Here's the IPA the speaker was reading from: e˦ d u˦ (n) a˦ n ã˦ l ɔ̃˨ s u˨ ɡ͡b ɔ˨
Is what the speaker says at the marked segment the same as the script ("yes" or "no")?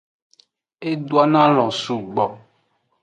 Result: no